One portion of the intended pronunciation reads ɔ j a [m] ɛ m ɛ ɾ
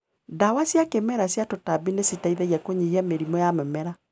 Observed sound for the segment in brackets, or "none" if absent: m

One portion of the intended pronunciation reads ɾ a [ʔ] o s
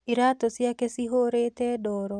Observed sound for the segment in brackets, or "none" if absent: t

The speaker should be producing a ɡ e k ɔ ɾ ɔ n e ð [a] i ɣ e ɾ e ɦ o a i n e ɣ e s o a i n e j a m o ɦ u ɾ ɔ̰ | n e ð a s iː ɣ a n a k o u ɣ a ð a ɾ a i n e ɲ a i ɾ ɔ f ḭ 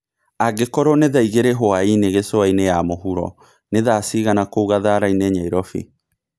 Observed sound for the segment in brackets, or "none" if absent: a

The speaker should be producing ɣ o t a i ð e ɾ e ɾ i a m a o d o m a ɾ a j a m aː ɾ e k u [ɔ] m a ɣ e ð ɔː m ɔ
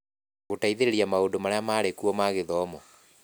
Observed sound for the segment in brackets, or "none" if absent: ɔ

